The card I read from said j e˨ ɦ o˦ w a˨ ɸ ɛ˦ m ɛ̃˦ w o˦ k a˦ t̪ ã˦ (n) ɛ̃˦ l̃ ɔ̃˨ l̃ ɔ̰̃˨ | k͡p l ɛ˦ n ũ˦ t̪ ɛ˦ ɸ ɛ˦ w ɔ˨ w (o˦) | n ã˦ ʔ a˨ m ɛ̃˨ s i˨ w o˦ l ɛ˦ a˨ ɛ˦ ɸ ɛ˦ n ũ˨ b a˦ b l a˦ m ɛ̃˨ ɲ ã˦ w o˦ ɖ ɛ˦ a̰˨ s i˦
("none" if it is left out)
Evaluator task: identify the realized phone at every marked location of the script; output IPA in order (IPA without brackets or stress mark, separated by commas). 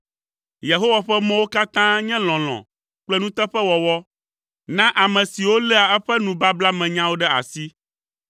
ɲ, ɔ˦